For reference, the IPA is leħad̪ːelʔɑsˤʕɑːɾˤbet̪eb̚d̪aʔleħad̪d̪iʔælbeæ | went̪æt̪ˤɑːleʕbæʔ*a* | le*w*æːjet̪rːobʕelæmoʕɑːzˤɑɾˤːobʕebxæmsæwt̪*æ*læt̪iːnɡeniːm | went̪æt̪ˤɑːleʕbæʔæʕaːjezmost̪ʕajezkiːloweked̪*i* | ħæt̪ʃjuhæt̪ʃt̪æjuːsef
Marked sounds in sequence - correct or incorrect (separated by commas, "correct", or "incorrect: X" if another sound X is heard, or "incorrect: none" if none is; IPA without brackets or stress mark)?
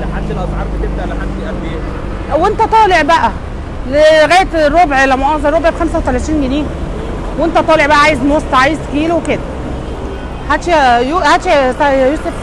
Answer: incorrect: æ, incorrect: ɣ, correct, incorrect: æ